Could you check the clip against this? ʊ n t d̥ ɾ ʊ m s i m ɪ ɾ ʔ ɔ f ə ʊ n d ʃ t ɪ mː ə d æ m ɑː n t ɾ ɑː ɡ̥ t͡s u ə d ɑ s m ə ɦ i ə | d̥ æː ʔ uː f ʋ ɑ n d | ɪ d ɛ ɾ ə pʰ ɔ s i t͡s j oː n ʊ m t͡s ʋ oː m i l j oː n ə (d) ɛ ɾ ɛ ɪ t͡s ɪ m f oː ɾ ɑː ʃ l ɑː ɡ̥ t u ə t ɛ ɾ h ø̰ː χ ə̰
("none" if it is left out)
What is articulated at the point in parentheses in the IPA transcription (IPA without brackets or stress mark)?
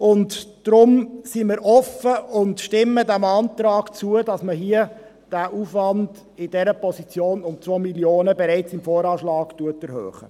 b